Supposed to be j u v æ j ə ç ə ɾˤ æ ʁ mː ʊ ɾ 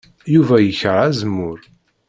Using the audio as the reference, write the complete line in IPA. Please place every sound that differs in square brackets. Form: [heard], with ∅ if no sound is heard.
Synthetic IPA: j u v æ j ə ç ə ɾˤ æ [z] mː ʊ ɾ

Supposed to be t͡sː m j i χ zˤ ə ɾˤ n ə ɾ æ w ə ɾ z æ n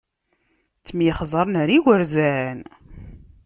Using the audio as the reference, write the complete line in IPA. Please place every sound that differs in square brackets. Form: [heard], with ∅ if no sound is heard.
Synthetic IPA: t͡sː m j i χ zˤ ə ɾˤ n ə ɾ [i] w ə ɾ z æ n

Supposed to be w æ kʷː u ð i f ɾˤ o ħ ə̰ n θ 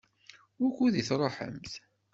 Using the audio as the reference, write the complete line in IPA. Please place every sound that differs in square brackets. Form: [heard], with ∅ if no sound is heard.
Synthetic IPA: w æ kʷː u ð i [θ] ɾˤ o ħ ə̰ [m] θ

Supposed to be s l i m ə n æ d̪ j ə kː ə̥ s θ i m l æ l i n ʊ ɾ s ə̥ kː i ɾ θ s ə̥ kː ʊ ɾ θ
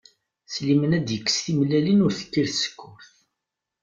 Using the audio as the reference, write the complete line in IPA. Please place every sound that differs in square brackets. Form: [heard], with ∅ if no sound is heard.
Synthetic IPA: s l i m ə n æ d̪ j ə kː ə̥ s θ i m l æ l i n ʊ ɾ [θ] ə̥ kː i ɾ θ s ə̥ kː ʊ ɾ θ

